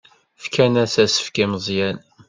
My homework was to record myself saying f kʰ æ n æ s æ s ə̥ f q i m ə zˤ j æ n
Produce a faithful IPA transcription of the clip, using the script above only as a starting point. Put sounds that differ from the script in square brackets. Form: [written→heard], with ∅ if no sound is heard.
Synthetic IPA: f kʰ æ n æ s æ s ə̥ f [q→k] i m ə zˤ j æ n